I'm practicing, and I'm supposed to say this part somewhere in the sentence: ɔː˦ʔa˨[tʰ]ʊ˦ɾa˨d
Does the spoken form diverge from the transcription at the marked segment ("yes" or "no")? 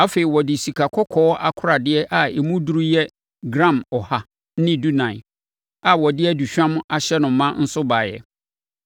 yes